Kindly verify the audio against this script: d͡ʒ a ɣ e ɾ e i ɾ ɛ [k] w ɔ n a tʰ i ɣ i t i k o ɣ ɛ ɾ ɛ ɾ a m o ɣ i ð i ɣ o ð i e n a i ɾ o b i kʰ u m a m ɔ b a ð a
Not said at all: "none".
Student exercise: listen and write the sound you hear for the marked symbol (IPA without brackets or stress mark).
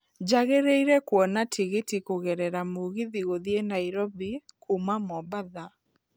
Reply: k